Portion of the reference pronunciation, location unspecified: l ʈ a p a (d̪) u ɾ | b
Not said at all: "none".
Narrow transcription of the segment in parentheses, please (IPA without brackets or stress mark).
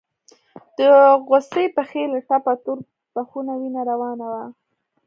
t̪